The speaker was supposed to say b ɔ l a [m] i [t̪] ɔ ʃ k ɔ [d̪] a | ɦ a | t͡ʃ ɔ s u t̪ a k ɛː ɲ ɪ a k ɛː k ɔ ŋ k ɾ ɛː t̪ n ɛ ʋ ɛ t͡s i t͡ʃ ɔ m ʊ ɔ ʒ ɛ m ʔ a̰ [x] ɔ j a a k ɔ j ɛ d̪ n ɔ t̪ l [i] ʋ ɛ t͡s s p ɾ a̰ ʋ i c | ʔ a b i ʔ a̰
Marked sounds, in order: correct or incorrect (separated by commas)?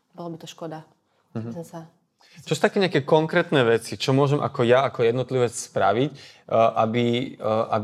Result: incorrect, correct, correct, incorrect, correct